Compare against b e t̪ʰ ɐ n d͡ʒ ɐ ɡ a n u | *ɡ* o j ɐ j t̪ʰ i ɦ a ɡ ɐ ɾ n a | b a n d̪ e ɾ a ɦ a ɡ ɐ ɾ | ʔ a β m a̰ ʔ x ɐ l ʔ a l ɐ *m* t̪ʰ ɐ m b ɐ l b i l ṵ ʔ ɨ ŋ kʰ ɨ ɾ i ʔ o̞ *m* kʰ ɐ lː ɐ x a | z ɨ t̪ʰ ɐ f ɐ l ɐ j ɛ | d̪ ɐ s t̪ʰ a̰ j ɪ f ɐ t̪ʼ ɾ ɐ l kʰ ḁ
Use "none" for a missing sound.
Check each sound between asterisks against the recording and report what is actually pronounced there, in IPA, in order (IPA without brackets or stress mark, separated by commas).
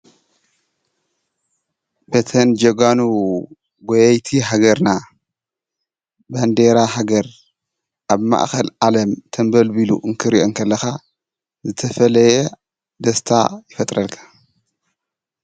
ɡ, m, ŋ